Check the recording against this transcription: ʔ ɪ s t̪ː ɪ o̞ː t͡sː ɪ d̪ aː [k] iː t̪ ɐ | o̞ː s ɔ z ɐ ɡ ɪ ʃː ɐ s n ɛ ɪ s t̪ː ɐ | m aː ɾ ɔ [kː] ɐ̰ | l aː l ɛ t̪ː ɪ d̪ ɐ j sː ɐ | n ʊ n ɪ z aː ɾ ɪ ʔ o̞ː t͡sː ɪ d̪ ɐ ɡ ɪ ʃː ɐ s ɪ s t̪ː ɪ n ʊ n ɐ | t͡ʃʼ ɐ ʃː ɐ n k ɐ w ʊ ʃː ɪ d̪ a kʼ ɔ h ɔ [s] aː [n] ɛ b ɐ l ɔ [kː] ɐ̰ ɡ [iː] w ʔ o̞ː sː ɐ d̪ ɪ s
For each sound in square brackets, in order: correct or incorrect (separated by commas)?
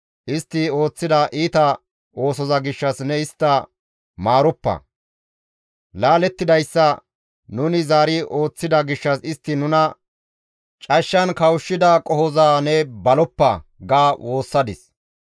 incorrect, incorrect, incorrect, correct, incorrect, incorrect